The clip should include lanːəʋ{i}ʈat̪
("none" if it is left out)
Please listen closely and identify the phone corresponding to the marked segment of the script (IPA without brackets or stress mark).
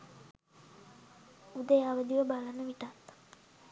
i